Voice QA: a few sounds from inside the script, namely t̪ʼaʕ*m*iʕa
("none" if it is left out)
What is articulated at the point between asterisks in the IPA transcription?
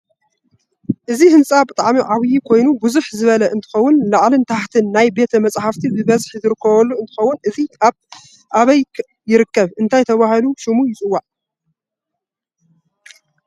m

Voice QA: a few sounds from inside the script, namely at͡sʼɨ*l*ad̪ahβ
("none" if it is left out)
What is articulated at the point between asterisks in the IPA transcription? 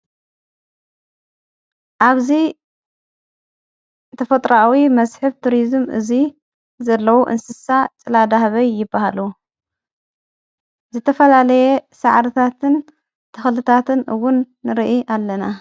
l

